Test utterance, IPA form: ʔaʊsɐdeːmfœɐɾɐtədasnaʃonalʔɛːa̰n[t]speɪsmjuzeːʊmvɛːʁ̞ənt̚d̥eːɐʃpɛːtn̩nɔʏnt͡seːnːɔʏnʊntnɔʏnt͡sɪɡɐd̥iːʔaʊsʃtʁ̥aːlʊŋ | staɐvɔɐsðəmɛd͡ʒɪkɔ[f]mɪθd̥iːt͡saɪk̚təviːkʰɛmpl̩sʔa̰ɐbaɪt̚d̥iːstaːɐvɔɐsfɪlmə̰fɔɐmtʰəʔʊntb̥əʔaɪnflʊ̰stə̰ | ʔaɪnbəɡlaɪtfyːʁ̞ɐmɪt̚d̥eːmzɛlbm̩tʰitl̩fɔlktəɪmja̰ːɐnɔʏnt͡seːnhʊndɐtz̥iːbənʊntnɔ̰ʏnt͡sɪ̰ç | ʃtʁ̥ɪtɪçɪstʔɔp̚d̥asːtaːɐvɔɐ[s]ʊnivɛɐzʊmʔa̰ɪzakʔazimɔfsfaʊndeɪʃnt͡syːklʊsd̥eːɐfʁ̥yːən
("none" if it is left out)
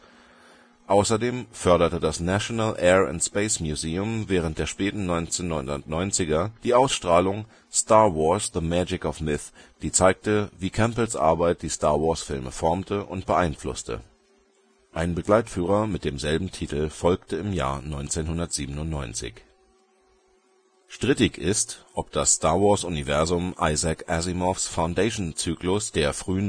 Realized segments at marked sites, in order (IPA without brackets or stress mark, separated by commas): t, f, s